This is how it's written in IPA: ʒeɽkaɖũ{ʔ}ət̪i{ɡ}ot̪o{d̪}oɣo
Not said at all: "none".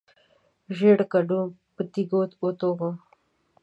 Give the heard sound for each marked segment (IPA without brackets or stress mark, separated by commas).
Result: p, ɡ, t̪